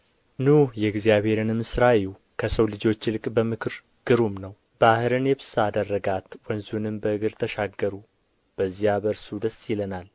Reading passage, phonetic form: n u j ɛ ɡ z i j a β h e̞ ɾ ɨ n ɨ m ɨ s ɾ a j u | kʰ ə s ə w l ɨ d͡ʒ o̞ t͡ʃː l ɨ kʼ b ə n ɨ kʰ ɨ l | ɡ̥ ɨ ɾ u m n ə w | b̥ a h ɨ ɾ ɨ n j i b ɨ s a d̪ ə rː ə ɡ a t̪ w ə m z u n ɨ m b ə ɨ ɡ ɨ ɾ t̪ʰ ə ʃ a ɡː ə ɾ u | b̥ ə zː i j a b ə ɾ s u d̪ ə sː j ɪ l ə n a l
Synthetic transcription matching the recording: n u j ɛ ɡ z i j a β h e̞ ɾ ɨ n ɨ m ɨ s ɾ a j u | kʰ ə s ə w l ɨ d͡ʒ o̞ t͡ʃː l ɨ kʼ b ə m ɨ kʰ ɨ ɾ | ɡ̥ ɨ ɾ u m n ə w | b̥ a h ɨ ɾ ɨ n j ɛ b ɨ s a d̪ ə rː ə ɡ a t̪ w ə n z u n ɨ m b ə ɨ ɡ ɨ ɾ t̪ʰ ə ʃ a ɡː ə ɾ u | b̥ ə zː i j a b ə ɾ s u d̪ ə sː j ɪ l ə n a l